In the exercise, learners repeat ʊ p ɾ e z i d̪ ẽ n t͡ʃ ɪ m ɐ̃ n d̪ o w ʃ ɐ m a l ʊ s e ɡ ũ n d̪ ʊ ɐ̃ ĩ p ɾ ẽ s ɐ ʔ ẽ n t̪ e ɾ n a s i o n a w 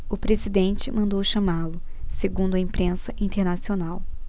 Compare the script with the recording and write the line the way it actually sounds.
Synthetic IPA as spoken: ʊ p ɾ e z i d̪ ẽ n t͡ʃ ɪ m ɐ̃ n d̪ o w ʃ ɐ m a l ʊ s e ɡ ũ n d̪ ʊ ɐ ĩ p ɾ ẽ s ɐ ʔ ĩ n t̪ e ɾ n a s i o n a w

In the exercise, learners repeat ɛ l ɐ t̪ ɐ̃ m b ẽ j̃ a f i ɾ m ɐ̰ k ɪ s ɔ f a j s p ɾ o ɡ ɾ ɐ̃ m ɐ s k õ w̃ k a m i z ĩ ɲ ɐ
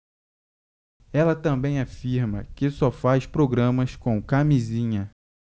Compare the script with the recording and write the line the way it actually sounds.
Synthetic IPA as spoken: ɛ l ɐ t̪ ɐ̃ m b ẽ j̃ a f i ɾ m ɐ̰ k ɪ s ɔ f a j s p ɾ o ɡ ɾ ɐ̃ m ɐ s k õ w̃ k a m i z ĩ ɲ ɐ

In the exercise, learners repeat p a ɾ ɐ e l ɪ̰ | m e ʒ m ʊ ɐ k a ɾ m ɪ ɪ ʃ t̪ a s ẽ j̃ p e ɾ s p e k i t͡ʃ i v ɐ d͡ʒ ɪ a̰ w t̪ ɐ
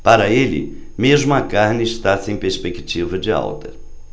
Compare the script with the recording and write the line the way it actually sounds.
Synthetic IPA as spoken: p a ɾ ɐ e l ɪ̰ | m e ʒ m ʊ ɐ k a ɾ n ɪ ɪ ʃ t̪ a s ẽ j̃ p e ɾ s p e k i t͡ʃ i v ɐ d͡ʒ ɪ a̰ w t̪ ɐ

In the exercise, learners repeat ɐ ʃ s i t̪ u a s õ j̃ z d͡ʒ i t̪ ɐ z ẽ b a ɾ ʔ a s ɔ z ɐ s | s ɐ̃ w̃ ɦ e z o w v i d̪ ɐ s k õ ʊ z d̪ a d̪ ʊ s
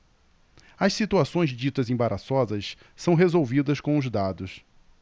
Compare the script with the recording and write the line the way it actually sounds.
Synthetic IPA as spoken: ɐ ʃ s i t̪ u a s õ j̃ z d͡ʒ i t̪ ɐ z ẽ b a ɾ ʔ a s ɔ z ɐ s | s ɐ̃ w̃ ɦ e z o w v i d̪ ɐ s k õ ʊ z d̪ a d̪ ʊ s

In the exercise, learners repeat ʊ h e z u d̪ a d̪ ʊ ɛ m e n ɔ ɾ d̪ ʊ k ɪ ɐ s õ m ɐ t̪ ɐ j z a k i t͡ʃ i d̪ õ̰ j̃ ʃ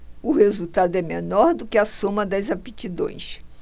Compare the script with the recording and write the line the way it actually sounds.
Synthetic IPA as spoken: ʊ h e z u t̪ a d̪ ʊ ɛ m e n ɔ ɾ d̪ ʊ k ɪ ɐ s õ m ɐ d̪ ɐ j z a p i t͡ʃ i d̪ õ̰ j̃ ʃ

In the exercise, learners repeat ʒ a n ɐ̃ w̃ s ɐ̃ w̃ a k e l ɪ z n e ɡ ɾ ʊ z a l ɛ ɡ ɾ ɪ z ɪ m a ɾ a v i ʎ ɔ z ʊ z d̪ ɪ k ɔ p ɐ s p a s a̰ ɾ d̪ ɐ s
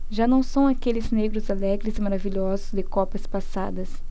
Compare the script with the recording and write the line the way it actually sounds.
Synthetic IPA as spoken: ʒ a n ɐ̃ w̃ s ɐ̃ w̃ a k e l ɪ z n e ɡ ɾ ʊ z a l ɛ ɡ ɾ ɪ z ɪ m a ɾ a v i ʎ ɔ z ʊ z d̪ ɪ k ɔ p ɐ s p a s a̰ d̪ ɐ s

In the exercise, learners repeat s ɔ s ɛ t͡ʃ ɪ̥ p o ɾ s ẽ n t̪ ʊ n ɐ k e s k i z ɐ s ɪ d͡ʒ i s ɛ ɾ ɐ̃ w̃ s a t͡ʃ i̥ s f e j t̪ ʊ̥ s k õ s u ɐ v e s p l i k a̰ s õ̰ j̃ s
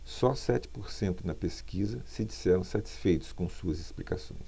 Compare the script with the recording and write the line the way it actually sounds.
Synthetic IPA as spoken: s ɔ s ɛ t͡ʃ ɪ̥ p o ɾ s ẽ n t̪ ʊ n ɐ p e s k i z ɐ s ɪ d͡ʒ i s ɛ ɾ ɐ̃ w̃ s a t͡ʃ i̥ s f e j t̪ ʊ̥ s k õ s u ɐ z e s p l i k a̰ s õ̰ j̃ s

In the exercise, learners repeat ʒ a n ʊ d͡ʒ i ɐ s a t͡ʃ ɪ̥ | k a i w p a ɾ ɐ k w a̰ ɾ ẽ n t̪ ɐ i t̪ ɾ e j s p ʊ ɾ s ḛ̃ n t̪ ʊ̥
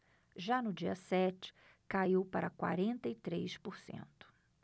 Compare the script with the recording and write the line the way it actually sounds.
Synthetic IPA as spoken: ʒ a n ʊ d͡ʒ i ɐ s ɛ t͡ʃ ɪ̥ | k a i w p a ɾ ɐ k w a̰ ɾ ẽ n t̪ ɐ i t̪ ɾ e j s p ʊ ɾ s ḛ̃ n t̪ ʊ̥

